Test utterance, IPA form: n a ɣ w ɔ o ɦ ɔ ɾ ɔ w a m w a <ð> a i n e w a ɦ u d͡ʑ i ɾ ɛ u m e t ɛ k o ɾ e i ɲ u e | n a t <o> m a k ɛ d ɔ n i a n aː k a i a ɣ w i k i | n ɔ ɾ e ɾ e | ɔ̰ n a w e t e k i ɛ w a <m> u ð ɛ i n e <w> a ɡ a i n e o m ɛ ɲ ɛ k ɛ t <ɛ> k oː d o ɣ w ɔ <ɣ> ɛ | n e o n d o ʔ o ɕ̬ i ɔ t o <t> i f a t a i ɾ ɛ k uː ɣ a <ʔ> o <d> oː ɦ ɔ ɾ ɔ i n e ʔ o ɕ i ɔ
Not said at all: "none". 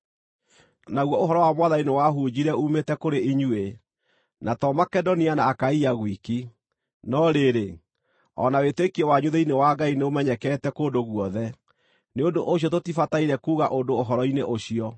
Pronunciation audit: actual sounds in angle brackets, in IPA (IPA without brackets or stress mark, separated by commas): ð, ɔ, ɲ, w, ɛ, ð, t, ʔ, d